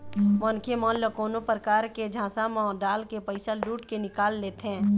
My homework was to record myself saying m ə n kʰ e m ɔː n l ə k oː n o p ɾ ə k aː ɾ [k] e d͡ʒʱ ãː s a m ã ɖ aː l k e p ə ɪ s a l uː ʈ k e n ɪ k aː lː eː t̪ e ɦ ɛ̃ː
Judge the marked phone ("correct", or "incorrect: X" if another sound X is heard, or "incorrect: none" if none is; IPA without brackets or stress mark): correct